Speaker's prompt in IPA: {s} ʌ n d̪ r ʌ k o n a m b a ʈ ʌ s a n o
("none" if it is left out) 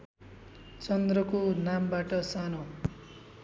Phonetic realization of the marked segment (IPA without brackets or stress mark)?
t͡s